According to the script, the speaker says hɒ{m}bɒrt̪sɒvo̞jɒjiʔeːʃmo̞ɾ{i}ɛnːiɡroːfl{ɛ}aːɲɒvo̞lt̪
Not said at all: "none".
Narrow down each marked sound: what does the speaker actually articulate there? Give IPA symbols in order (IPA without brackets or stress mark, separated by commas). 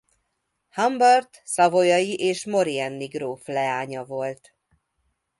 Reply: m, i, ɛ